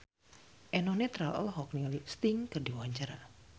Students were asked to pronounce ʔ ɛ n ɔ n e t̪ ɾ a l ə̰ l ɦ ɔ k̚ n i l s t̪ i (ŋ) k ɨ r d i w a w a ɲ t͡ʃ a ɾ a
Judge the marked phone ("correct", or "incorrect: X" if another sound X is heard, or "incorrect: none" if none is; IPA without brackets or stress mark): correct